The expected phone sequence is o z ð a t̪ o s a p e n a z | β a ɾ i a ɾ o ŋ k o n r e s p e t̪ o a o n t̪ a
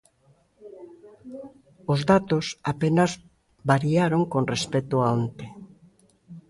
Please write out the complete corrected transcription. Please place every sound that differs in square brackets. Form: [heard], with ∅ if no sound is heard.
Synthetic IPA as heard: o z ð a t̪ o s a p e n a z | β a ɾ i a ɾ o ŋ k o n r e s p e t̪ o a o n t̪ [e]